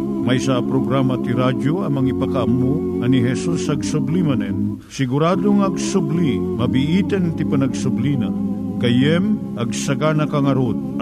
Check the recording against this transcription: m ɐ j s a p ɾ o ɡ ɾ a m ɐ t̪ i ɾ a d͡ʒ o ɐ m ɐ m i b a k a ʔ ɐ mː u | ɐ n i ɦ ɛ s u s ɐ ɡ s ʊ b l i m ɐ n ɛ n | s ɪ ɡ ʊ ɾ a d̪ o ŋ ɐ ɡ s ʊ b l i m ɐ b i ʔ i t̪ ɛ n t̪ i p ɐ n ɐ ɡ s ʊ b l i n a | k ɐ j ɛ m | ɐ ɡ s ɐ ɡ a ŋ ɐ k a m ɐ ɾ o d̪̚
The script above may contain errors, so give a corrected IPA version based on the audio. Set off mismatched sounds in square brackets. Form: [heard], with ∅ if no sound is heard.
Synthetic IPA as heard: m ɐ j s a p ɾ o ɡ ɾ a m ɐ t̪ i ɾ a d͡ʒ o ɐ m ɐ [ŋ] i [p] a k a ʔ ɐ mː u | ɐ n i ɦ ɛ s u s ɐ ɡ s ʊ b l i m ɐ n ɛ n | s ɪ ɡ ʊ ɾ a d̪ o ŋ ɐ ɡ s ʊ b l i m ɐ b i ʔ i t̪ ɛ n t̪ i p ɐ n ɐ ɡ s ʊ b l i n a | k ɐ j ɛ m | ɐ ɡ s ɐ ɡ a [n] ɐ k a [ŋ] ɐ ɾ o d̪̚